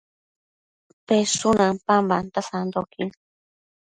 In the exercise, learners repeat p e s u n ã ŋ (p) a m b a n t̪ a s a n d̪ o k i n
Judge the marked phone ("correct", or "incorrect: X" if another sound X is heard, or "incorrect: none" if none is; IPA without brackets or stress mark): correct